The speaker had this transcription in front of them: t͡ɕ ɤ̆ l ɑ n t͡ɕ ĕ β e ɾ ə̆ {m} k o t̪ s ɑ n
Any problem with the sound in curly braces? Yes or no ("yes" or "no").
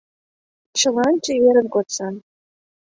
yes